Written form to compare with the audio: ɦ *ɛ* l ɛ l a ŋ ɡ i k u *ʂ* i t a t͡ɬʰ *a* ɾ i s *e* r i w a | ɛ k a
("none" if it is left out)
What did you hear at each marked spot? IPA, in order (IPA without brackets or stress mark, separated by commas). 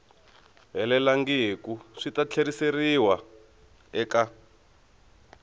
ɛ, ʂ, e, e